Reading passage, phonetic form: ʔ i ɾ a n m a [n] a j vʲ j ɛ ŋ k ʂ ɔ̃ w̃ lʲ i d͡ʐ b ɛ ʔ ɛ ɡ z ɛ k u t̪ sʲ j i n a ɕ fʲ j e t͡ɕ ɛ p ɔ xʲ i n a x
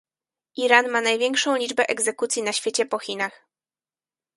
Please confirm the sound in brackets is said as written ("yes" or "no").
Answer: yes